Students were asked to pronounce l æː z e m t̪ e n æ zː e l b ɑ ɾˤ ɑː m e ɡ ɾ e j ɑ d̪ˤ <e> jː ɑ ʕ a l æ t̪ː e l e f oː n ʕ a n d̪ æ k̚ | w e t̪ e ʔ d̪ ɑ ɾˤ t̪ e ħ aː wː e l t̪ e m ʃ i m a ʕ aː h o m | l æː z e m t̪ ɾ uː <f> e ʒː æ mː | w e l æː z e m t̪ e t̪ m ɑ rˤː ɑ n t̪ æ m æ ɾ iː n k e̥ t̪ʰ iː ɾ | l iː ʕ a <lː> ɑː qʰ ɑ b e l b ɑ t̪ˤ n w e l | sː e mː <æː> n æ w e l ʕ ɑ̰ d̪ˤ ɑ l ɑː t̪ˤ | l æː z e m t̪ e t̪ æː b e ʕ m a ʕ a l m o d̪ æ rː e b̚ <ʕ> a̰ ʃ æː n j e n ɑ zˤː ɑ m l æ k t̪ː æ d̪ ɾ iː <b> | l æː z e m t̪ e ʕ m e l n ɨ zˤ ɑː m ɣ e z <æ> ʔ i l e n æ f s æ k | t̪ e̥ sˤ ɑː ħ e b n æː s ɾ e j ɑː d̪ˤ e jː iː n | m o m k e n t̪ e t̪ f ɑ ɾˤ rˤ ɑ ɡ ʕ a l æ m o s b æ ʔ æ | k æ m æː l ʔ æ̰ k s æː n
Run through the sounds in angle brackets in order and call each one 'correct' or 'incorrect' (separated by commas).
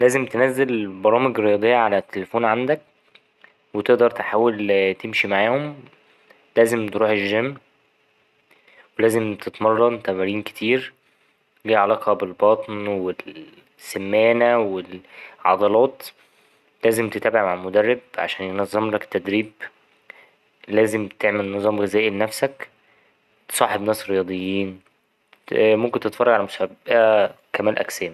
correct, incorrect, incorrect, correct, correct, correct, incorrect